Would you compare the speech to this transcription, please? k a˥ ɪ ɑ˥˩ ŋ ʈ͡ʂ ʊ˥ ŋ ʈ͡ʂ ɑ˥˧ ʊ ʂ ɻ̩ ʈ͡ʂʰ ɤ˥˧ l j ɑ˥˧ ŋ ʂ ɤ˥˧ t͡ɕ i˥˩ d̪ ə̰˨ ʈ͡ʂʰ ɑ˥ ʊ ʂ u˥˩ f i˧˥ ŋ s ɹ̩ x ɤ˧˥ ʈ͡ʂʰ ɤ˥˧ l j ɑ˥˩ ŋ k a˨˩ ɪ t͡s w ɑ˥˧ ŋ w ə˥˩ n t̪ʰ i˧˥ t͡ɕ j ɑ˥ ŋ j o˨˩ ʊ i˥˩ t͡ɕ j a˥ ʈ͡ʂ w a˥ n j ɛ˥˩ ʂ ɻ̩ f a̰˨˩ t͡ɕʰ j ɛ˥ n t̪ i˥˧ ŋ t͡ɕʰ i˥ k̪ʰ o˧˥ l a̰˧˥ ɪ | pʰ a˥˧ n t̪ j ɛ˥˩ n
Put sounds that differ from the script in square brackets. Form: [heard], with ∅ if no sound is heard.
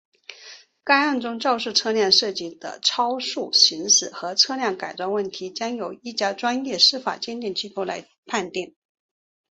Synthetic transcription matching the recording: k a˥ ɪ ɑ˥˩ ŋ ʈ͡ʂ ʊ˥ ŋ ʈ͡ʂ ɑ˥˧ ʊ ʂ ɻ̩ ʈ͡ʂʰ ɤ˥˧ l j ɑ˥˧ ŋ ʂ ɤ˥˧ t͡ɕ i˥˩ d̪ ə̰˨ ʈ͡ʂʰ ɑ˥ ʊ ʂ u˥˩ [ɕ] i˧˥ ŋ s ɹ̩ x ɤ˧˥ ʈ͡ʂʰ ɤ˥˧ l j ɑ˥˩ ŋ k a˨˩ ɪ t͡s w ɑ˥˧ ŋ w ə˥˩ n t̪ʰ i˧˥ t͡ɕ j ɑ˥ ŋ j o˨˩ ʊ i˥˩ t͡ɕ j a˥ ʈ͡ʂ w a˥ n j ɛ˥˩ ʂ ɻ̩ f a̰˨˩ [t͡ɕ] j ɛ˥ n t̪ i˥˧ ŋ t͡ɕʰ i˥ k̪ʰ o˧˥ l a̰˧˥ ɪ | pʰ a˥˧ n t̪ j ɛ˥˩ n